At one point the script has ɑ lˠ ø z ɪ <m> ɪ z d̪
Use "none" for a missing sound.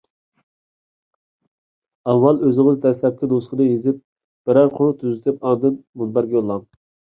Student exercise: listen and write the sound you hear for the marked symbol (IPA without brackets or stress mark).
ŋ